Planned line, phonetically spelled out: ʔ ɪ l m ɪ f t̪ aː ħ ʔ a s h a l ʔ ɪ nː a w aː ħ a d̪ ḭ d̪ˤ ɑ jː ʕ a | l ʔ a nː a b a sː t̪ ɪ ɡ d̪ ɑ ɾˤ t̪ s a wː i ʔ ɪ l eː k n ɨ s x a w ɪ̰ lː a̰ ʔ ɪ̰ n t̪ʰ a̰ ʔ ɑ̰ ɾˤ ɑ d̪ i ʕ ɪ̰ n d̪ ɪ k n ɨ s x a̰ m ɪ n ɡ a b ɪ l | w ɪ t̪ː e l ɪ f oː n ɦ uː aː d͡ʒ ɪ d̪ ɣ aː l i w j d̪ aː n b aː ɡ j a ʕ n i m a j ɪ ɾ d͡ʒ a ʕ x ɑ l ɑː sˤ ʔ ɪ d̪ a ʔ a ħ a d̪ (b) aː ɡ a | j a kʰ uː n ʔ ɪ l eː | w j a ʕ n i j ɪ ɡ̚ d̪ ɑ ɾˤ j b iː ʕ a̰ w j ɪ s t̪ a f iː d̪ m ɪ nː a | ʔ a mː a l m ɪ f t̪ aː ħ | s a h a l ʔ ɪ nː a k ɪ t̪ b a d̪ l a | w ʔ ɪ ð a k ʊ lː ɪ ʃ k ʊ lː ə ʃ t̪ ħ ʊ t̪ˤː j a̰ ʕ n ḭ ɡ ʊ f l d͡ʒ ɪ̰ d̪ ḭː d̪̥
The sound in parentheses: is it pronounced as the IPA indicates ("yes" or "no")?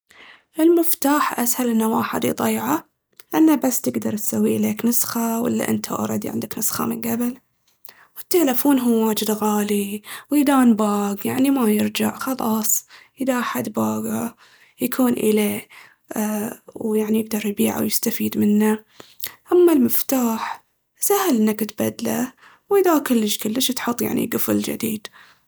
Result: yes